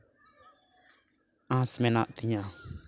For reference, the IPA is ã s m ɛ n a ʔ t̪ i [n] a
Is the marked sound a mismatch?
yes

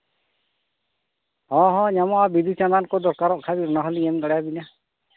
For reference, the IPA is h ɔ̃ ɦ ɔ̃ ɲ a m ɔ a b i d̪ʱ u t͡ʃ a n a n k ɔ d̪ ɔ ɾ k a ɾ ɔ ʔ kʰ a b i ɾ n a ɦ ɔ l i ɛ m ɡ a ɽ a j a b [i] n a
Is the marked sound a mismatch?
no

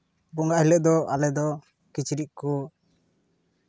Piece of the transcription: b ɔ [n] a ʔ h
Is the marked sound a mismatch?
yes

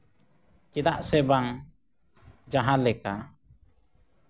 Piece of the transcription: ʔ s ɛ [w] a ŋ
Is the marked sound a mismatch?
yes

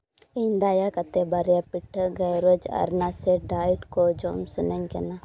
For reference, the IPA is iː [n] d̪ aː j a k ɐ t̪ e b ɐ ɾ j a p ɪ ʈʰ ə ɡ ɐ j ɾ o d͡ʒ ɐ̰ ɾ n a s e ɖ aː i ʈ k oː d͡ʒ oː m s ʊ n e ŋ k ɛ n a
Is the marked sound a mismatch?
no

